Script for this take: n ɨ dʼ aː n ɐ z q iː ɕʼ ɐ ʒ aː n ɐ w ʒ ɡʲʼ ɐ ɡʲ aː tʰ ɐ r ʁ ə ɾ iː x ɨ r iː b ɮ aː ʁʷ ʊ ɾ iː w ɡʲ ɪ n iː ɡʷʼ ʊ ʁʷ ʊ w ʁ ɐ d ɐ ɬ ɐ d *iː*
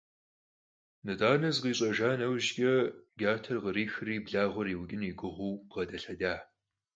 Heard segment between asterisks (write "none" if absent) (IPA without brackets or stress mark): aː